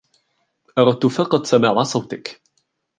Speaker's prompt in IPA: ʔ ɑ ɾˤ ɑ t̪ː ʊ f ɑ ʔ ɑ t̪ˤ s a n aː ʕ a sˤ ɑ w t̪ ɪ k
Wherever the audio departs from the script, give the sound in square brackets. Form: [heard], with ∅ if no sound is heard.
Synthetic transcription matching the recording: ʔ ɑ ɾˤ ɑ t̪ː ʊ f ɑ [q] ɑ t̪ˤ s a [m] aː ʕ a sˤ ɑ w t̪ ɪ k